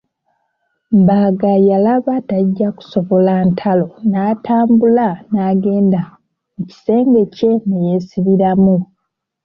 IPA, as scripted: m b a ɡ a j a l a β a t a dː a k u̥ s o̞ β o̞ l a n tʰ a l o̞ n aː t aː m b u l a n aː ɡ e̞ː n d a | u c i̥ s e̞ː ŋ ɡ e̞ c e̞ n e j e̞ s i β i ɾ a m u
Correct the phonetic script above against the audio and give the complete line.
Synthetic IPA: m b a ɡ a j a l a β a t a ɟː a k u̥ s o̞ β o̞ l a n tʰ a l o̞ n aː t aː m b u l a n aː ɡ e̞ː n d a | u c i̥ s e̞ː ŋ ɡ e̞ c e̞ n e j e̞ s i β i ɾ a m u